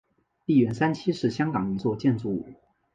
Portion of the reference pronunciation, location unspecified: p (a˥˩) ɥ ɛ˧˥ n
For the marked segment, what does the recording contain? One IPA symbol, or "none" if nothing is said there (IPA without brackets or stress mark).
i˥˩